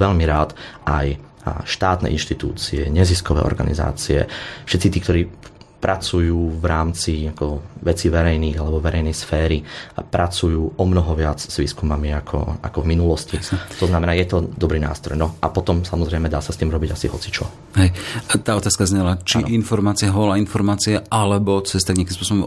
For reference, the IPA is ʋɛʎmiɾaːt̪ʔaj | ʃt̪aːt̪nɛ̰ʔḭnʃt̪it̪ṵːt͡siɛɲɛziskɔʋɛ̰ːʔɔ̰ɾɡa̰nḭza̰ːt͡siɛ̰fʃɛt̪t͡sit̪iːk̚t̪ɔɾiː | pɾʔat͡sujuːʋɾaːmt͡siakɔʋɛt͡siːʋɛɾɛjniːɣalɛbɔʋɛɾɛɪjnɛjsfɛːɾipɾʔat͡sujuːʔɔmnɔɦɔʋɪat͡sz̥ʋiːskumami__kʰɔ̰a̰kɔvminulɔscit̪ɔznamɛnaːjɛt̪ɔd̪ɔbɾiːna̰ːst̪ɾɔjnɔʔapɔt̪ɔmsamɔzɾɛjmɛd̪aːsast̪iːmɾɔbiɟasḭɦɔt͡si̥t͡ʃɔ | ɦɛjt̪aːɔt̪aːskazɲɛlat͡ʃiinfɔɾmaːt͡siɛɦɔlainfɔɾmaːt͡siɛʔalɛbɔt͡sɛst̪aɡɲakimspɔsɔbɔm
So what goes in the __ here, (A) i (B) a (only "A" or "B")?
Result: B